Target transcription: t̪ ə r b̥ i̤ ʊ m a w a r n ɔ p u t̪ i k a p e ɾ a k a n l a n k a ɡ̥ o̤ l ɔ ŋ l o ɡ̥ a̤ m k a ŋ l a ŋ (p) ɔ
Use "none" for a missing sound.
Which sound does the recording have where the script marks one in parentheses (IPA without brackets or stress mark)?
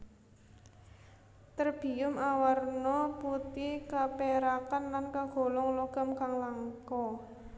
k